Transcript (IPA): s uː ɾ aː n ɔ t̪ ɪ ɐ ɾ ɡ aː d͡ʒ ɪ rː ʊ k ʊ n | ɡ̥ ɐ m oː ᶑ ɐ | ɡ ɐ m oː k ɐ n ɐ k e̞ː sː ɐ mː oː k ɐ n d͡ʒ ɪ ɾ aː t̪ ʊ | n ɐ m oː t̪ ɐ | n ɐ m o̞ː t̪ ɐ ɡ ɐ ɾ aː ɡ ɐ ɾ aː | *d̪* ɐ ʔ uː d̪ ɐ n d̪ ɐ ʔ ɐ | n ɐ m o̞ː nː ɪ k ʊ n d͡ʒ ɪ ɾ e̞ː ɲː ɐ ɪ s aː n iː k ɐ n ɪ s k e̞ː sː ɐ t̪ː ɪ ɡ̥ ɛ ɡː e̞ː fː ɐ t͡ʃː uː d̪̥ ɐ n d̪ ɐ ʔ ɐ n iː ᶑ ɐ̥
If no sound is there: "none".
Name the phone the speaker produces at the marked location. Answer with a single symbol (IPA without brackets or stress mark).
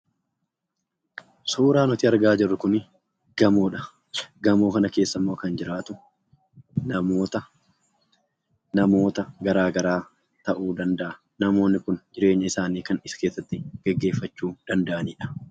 t̪